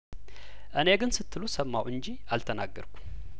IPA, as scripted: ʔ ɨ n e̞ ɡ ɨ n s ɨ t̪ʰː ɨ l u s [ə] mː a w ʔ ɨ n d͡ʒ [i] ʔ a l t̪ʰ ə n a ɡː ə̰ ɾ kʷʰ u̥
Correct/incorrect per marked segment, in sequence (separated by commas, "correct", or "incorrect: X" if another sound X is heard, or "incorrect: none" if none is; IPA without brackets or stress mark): correct, correct